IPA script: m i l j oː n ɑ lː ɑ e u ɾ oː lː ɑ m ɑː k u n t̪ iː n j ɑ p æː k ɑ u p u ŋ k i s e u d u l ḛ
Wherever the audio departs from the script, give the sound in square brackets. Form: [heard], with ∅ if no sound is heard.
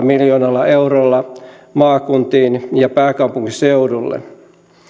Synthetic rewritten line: m i l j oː n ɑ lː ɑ e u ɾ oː lː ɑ m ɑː k u n t̪ iː n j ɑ p æː k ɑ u p u ŋ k i s e u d u [lː] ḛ